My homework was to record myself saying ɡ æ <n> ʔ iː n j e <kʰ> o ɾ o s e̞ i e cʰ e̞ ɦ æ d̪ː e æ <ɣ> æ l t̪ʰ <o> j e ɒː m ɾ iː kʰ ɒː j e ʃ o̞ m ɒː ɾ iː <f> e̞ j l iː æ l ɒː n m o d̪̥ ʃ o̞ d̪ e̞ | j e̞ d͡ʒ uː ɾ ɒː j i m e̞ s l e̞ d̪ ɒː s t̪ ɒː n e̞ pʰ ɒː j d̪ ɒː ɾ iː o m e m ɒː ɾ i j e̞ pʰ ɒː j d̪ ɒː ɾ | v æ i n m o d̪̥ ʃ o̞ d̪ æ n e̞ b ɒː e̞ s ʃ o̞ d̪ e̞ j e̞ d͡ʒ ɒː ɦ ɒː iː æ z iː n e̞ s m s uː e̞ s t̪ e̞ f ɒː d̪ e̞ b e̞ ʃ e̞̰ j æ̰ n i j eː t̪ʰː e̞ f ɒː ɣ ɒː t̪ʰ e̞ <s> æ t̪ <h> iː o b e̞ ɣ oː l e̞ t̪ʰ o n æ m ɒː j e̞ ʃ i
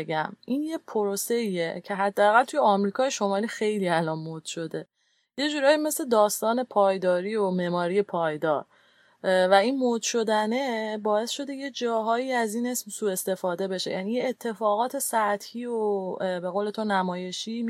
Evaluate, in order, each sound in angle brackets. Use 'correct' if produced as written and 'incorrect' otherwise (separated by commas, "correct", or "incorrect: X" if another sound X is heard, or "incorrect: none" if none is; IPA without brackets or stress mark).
incorrect: m, incorrect: pʰ, correct, incorrect: u, incorrect: x, correct, correct